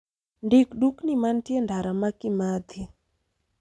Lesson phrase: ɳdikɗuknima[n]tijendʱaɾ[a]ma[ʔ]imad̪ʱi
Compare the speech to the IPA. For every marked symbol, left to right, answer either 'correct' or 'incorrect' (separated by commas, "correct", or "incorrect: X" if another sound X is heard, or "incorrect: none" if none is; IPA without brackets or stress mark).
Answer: correct, correct, incorrect: k